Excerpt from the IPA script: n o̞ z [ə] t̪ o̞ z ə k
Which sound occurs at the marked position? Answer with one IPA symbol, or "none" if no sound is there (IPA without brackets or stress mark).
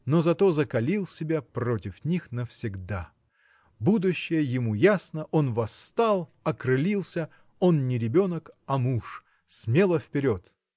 ɐ